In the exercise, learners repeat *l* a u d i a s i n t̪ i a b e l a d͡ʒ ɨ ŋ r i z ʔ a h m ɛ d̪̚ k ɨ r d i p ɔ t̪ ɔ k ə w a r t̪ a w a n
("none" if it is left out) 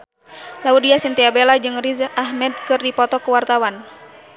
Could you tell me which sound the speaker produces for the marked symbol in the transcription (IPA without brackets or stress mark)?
l